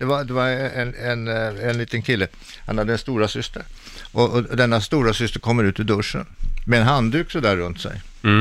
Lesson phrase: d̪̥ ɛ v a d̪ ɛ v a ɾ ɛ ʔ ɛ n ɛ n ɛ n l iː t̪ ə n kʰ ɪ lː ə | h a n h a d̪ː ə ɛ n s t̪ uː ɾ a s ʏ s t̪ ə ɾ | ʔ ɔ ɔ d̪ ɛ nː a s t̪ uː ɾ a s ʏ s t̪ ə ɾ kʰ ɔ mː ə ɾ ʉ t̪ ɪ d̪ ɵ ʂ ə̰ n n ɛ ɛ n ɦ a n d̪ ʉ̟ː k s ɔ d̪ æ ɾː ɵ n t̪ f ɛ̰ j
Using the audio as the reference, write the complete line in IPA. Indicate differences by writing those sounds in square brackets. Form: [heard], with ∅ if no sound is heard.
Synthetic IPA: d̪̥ ɛ v a d̪ ɛ v a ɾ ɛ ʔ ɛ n ɛ n ɛ n l iː t̪ ə n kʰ ɪ lː ə | h a n h a d̪ː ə ɛ n s t̪ uː ɾ a s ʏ s t̪ ə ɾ | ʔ ɔ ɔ d̪ ɛ nː a s t̪ uː ɾ a s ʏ s t̪ ə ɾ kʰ ɔ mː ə ɾ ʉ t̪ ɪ d̪ ɵ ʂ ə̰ n [m] ɛ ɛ n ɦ a n d̪ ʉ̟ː k s ɔ d̪ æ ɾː ɵ n t̪ [s] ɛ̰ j